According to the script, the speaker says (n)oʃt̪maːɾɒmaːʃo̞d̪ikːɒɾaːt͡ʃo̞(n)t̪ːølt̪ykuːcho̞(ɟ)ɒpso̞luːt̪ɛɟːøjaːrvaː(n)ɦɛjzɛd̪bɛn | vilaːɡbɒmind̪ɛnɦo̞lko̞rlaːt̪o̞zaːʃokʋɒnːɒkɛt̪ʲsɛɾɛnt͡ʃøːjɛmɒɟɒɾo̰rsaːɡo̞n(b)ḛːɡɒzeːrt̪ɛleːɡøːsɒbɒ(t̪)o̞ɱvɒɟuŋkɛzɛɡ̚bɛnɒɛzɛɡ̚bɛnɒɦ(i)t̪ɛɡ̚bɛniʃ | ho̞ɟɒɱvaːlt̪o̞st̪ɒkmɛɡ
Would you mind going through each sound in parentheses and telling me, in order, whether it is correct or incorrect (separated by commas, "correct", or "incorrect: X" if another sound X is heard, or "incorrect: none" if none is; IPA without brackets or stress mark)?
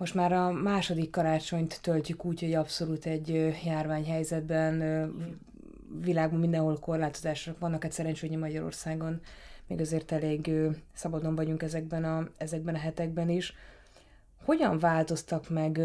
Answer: incorrect: m, incorrect: ɲ, correct, incorrect: ɲ, incorrect: m, incorrect: d̪, incorrect: ɛ